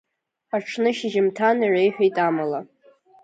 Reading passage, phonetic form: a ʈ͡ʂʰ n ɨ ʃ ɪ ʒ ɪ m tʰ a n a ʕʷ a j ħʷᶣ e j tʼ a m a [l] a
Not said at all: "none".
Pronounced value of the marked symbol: l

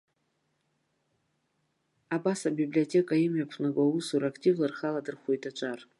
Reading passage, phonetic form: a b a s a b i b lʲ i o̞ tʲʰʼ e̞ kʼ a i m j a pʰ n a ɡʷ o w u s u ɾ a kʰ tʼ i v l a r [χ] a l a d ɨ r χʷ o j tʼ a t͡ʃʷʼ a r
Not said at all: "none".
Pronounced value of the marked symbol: χ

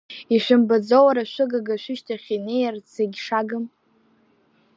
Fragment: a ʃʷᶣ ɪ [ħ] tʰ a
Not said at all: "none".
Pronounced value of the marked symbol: ʃ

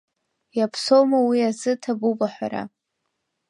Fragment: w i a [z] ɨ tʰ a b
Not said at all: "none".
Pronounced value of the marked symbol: z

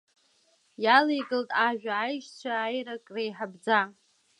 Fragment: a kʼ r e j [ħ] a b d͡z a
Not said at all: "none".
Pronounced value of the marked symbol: ħ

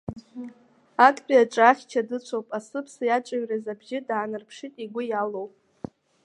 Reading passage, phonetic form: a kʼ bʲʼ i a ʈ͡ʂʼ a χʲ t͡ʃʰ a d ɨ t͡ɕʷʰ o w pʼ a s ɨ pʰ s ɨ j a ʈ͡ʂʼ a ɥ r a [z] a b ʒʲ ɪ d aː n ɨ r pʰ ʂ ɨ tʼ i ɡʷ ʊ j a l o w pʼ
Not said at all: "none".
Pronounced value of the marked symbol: z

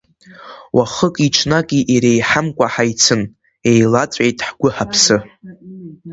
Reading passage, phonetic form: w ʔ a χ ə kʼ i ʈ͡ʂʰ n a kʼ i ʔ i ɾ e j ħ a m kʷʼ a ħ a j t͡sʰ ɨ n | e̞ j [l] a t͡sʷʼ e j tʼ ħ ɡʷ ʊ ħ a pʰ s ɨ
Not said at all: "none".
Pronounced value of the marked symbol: l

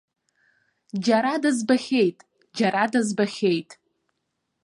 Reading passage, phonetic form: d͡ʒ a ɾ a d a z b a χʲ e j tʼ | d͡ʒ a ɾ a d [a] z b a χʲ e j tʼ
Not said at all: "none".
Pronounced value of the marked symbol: a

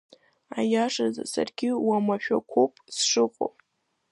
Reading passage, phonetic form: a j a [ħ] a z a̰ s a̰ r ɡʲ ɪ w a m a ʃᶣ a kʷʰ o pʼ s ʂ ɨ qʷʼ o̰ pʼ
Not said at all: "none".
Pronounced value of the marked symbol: ʂ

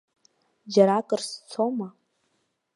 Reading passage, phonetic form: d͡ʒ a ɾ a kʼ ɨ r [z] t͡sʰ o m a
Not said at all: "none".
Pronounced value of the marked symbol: s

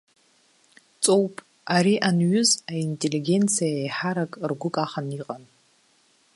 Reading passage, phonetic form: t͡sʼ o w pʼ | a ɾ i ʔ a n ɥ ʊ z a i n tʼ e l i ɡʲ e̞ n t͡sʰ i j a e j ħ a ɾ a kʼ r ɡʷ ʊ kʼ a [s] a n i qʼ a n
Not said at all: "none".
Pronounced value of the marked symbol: χ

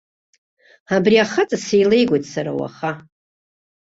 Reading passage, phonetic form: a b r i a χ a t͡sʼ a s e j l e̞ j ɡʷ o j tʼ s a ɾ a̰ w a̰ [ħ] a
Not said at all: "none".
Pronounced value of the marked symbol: χ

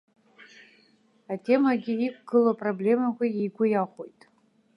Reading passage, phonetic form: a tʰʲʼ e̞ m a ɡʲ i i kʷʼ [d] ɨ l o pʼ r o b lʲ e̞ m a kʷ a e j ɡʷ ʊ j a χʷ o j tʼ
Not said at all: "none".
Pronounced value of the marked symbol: ɡ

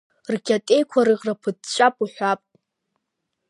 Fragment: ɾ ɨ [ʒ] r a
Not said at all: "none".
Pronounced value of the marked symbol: ʁ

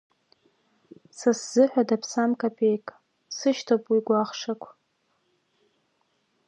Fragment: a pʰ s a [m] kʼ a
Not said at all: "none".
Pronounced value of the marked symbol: m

